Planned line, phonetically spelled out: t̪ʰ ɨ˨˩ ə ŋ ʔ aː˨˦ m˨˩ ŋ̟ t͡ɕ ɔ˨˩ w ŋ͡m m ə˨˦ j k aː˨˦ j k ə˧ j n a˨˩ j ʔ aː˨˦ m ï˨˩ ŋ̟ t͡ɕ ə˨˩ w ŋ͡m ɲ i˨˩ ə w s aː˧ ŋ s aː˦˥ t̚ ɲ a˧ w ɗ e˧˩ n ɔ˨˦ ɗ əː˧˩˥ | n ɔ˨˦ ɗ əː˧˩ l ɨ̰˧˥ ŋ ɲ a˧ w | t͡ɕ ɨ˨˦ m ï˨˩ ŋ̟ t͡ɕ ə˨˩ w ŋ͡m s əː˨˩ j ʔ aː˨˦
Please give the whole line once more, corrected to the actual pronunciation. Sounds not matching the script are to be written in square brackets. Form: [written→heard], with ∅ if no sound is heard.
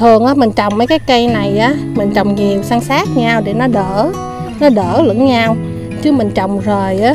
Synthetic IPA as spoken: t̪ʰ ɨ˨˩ ə ŋ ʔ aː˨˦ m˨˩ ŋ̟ t͡ɕ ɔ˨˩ w ŋ͡m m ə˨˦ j k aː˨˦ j k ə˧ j n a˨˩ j ʔ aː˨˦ m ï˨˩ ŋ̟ t͡ɕ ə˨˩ w ŋ͡m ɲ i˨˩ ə w s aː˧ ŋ s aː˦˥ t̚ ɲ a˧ w ɗ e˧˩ n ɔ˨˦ ɗ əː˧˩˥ | n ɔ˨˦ ɗ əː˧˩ l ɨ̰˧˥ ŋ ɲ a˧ w | t͡ɕ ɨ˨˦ m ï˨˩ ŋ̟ t͡ɕ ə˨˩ w ŋ͡m [s→z] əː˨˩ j ʔ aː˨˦